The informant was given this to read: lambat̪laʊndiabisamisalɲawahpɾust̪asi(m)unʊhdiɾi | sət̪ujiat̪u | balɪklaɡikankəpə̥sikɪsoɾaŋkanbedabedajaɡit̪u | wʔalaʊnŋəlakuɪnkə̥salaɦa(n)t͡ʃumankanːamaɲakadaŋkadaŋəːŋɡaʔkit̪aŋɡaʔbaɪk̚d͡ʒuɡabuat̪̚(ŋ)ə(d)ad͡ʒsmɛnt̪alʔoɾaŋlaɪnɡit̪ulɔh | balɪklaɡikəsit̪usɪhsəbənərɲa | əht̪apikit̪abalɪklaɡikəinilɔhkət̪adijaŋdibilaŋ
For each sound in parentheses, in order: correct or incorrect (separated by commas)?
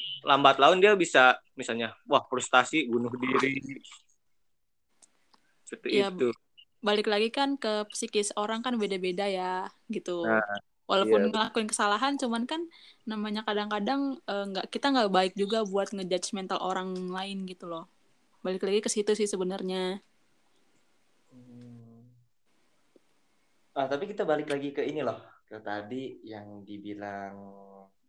incorrect, correct, correct, incorrect